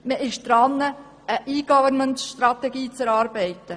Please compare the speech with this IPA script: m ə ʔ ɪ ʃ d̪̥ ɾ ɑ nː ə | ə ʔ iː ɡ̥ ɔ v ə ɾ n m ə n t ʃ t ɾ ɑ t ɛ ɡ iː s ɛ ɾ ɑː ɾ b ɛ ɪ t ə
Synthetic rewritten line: m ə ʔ ɪ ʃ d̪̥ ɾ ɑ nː ə | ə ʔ iː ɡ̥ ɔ v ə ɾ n m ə n t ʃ t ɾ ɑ t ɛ ɡ iː t͡s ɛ ɾ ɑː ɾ b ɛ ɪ t ə